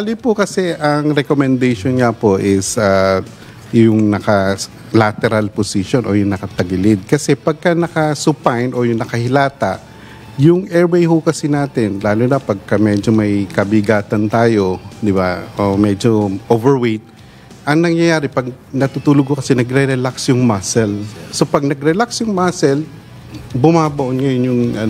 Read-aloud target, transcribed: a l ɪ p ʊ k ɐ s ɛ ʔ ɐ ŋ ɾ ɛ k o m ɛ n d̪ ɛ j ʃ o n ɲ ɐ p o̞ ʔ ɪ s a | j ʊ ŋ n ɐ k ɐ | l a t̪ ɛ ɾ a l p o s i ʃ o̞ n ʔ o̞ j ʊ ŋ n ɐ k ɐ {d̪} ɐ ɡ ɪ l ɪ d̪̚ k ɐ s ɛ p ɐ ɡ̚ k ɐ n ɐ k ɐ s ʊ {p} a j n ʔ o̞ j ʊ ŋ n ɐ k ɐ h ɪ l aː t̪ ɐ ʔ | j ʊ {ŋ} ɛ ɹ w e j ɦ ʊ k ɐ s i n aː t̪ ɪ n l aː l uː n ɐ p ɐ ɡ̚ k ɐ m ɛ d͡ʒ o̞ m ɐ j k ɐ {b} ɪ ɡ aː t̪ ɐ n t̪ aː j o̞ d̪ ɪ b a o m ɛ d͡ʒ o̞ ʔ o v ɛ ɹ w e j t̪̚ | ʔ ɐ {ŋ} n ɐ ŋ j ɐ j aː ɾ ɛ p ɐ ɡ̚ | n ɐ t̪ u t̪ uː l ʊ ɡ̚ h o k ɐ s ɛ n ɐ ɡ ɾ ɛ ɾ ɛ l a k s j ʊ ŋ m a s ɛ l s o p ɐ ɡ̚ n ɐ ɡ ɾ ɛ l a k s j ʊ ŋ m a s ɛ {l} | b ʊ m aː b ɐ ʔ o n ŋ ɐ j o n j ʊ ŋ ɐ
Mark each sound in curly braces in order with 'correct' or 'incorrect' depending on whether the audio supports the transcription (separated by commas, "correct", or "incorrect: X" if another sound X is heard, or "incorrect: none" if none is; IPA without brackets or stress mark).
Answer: incorrect: t̪, correct, correct, correct, correct, correct